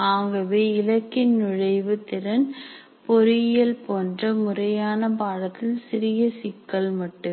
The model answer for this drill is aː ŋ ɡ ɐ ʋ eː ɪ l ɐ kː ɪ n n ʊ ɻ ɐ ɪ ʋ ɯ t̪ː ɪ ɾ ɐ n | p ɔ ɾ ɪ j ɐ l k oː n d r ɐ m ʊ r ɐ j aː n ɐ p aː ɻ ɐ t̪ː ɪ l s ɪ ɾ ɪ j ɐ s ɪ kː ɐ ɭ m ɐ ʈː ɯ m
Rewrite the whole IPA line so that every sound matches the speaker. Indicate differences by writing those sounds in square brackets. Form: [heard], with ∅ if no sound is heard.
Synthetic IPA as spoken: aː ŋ ɡ ɐ ʋ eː ɪ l ɐ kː ɪ n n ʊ ɻ ɐ ɪ ʋ ɯ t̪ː ɪ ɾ ɐ n | p ɔ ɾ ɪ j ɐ l [p] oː n d r ɐ m ʊ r ɐ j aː n ɐ p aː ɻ ɐ t̪ː ɪ l s ɪ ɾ ɪ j ɐ s ɪ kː ɐ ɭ m ɐ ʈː ɯ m